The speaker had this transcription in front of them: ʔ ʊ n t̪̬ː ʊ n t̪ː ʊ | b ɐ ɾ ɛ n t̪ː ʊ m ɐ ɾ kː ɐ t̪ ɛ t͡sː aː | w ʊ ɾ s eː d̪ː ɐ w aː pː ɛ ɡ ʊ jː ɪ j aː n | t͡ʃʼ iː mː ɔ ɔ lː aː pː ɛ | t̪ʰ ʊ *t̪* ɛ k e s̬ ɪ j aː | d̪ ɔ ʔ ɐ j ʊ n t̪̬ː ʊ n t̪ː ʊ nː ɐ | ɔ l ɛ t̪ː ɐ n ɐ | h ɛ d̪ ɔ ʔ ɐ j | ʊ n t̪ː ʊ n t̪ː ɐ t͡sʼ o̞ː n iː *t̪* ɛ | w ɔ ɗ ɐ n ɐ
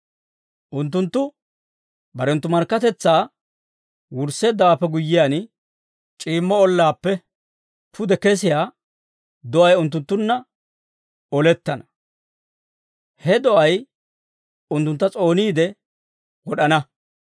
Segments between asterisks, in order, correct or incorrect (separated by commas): incorrect, incorrect